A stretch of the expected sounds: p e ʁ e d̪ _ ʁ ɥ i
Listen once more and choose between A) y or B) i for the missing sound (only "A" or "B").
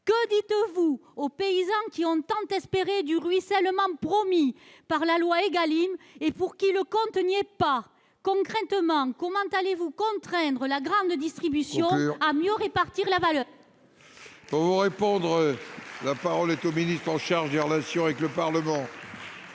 A